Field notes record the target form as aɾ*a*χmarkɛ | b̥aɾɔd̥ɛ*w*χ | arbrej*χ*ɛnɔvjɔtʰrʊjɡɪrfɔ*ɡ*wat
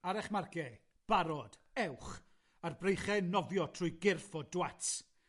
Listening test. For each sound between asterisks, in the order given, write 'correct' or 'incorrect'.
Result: incorrect: ɛ, correct, correct, incorrect: d

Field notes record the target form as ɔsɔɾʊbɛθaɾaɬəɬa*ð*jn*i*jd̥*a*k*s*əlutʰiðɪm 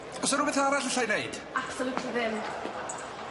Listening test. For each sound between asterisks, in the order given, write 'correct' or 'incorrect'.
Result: incorrect: none, incorrect: e, correct, correct

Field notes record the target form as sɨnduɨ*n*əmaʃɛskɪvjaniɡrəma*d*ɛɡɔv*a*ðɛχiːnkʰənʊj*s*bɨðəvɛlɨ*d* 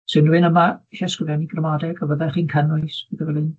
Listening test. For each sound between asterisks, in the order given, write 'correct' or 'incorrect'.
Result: correct, correct, incorrect: ə, correct, incorrect: n

